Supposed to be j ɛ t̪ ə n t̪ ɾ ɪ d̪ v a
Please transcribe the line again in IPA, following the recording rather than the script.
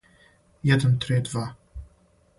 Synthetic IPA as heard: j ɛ d̪ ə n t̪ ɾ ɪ d̪ v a